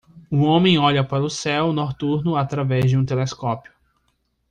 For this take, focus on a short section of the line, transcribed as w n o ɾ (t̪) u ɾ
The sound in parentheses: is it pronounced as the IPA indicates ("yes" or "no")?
yes